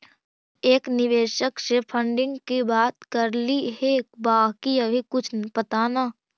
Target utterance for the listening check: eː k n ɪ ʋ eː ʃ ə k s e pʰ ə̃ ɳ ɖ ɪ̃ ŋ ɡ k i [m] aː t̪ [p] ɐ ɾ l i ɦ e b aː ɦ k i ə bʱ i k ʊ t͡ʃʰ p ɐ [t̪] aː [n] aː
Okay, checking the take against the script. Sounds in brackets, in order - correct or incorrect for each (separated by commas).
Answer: incorrect, incorrect, correct, correct